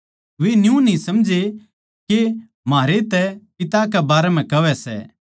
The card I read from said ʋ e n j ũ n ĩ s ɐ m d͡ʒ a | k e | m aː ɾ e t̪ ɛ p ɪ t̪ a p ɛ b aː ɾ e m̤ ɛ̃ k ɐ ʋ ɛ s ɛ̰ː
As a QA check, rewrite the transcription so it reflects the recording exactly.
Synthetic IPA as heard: ʋ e n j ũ n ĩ s ɐ m d͡ʒ e | k e | m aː ɾ e t̪ ɛ p ɪ t̪ a k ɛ b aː ɾ ɛ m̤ ɛ̃ k ɐ ʋ ɛ s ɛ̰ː